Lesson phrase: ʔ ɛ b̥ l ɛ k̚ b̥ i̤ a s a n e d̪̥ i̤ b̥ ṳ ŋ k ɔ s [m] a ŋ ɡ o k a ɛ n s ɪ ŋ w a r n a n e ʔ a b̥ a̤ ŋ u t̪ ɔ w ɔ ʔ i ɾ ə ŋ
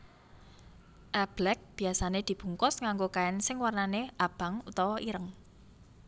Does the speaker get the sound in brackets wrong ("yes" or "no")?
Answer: yes